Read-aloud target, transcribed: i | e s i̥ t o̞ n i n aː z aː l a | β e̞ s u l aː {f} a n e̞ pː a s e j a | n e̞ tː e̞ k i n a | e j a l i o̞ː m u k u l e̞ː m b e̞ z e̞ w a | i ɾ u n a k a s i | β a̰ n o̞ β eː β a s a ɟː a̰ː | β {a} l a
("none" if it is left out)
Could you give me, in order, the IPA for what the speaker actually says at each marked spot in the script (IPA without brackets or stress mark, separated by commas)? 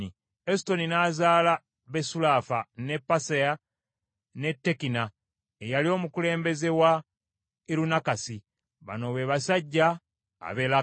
f, e